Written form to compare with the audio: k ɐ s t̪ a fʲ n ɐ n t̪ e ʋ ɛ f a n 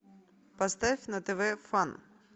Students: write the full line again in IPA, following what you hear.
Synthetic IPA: p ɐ s t̪ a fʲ n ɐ t̪ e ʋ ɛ f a n